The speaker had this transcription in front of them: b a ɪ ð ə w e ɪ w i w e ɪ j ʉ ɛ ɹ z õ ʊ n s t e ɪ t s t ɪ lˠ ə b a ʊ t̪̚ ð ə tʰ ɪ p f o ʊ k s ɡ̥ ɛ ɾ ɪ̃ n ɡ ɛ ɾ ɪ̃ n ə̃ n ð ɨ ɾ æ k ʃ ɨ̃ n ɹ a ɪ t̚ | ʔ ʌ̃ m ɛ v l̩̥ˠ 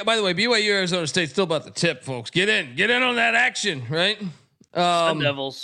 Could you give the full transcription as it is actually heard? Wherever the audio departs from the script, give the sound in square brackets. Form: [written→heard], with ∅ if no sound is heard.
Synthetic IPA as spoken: b a ɪ ð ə w e ɪ [w→b] i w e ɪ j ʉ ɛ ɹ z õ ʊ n s t e ɪ t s t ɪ lˠ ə b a ʊ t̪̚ ð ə tʰ ɪ p f o ʊ k s ɡ̥ ɛ ɾ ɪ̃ n ɡ ɛ ɾ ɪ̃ n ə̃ n ð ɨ ɾ æ k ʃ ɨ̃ n ɹ a ɪ t̚ | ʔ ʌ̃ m ɛ v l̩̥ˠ